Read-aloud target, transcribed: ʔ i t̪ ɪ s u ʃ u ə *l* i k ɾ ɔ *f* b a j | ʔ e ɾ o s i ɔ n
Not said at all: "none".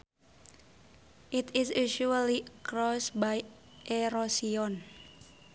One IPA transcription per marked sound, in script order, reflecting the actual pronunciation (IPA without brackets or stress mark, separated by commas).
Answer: l, s